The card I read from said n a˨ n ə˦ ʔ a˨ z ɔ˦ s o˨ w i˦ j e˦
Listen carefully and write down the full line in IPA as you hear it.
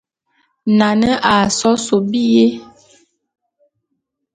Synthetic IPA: n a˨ n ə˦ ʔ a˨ s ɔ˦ s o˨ b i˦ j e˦